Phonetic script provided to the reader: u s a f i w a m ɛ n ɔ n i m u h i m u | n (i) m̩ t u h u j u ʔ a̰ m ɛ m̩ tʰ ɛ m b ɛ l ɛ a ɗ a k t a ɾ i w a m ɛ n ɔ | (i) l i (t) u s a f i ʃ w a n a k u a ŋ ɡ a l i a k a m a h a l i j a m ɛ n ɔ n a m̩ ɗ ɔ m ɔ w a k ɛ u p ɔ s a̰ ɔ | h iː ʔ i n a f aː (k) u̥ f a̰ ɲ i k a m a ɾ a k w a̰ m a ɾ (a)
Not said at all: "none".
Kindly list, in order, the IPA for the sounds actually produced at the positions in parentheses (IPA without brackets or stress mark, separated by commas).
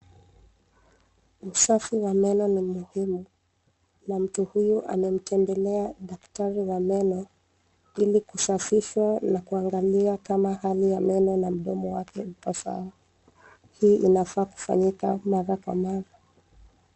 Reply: a, i, k, k, a